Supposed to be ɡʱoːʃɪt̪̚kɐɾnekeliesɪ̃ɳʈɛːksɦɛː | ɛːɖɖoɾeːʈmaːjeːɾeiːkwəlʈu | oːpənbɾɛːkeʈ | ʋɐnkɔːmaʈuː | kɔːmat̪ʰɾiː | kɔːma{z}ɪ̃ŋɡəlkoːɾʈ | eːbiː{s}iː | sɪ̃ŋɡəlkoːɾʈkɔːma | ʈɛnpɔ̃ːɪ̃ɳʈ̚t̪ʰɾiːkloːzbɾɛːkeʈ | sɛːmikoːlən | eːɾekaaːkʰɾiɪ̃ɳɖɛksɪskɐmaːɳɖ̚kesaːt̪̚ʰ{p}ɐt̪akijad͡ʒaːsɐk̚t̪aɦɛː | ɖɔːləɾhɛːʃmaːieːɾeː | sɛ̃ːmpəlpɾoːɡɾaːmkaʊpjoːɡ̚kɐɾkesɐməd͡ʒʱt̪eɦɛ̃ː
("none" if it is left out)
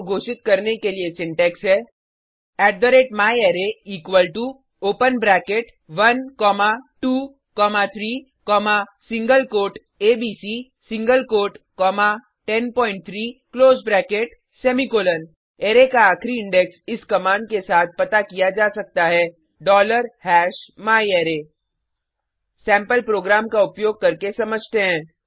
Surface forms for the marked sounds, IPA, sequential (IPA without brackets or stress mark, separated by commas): s, s, p